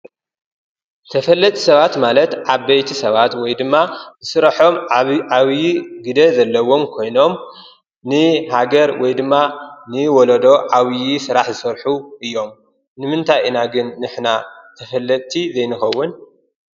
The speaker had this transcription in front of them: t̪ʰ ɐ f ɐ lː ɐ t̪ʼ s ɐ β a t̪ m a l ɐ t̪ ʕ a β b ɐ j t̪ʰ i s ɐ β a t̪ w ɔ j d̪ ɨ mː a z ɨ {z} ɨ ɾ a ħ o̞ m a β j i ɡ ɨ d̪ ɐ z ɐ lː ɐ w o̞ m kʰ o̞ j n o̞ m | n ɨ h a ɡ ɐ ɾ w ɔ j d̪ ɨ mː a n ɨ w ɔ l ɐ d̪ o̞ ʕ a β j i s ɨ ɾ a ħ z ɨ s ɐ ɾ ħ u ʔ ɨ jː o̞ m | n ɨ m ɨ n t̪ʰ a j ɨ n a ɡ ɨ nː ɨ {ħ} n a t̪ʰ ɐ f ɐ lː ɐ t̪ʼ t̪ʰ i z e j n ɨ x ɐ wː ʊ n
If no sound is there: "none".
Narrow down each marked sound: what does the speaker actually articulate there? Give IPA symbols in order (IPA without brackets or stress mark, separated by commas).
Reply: s, ħ